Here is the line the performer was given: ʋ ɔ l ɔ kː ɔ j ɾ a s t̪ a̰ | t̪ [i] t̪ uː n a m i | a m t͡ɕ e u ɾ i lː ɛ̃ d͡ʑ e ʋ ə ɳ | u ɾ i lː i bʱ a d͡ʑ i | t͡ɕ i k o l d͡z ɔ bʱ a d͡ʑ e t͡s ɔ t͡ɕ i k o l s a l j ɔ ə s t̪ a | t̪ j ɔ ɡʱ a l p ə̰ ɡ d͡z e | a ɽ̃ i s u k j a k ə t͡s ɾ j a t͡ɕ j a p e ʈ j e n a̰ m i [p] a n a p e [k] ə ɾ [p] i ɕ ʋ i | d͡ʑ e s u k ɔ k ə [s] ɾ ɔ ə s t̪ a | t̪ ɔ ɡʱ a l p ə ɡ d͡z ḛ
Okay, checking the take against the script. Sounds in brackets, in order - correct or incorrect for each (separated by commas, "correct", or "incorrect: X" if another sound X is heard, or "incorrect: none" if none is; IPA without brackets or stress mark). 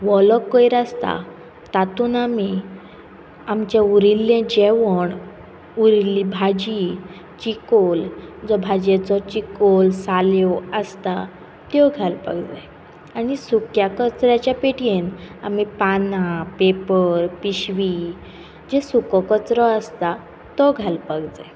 incorrect: a, correct, incorrect: p, correct, incorrect: t͡s